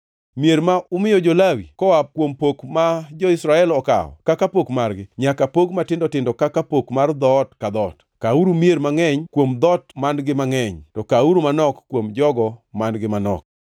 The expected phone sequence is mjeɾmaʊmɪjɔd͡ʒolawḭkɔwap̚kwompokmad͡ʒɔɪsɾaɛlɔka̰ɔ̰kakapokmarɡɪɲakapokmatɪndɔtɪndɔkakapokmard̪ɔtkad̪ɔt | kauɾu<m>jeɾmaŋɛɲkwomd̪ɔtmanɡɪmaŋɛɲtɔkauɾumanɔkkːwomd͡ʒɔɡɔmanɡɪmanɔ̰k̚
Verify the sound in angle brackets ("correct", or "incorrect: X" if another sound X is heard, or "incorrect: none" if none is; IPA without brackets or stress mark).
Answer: correct